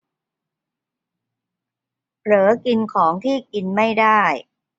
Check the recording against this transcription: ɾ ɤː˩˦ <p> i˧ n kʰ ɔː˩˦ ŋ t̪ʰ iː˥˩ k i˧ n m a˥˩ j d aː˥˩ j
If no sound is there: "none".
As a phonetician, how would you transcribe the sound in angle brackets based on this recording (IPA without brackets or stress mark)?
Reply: k